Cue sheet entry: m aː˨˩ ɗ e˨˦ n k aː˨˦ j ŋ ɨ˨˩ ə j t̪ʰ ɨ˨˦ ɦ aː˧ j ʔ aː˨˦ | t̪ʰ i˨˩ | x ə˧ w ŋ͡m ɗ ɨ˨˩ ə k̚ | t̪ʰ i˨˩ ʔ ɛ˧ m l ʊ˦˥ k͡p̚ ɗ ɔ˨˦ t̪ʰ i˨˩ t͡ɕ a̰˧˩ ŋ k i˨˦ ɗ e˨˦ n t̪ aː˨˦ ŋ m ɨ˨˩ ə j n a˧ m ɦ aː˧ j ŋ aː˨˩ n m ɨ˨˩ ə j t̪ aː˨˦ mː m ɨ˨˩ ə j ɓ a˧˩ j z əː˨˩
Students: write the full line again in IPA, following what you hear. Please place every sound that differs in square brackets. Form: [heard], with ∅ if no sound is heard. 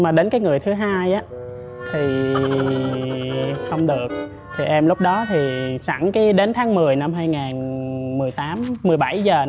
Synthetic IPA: m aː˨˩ ɗ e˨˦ n k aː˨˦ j ŋ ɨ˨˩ ə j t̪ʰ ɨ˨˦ ɦ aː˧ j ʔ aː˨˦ | t̪ʰ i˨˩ | x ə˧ w ŋ͡m ɗ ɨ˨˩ ə k̚ | t̪ʰ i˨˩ ʔ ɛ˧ m l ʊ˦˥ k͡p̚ ɗ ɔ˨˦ t̪ʰ i˨˩ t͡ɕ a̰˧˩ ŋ k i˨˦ ɗ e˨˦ n [t̪ʰ] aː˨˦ ŋ m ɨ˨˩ ə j n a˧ m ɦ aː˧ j ŋ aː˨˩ n m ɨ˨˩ ə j t̪ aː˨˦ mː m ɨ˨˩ ə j ɓ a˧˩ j z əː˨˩

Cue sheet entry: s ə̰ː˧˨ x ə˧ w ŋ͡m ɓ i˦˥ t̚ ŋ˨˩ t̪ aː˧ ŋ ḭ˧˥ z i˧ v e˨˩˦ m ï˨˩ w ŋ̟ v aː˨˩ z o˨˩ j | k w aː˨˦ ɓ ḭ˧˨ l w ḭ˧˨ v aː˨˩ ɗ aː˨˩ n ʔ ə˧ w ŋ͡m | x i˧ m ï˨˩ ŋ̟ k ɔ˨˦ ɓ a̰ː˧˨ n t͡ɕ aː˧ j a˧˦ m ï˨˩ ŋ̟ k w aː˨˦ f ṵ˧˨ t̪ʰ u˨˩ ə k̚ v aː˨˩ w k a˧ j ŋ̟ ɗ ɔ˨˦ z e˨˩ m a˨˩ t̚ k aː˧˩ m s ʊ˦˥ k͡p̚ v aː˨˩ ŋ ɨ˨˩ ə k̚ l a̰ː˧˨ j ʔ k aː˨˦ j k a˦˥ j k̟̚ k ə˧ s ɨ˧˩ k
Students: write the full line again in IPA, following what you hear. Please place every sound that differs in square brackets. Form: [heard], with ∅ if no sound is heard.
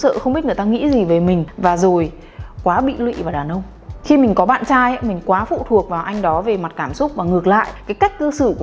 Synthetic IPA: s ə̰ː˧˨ x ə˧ w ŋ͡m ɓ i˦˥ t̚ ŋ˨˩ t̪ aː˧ ŋ ḭ˧˥ z [i˨˩] v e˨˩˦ m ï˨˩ [∅] ŋ̟ v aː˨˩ z o˨˩ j | k w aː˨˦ ɓ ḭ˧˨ l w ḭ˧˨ v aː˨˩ ɗ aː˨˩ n ʔ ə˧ w ŋ͡m | x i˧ m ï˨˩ ŋ̟ k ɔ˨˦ ɓ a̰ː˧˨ n t͡ɕ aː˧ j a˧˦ m ï˨˩ ŋ̟ k w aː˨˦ f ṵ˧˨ t̪ʰ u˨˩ ə k̚ v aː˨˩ w [ʔ] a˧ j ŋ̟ ɗ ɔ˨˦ [v] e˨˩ m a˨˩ t̚ k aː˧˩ m s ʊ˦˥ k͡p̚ v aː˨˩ ŋ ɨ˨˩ ə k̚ l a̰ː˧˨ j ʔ k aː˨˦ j k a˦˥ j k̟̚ k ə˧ s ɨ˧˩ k

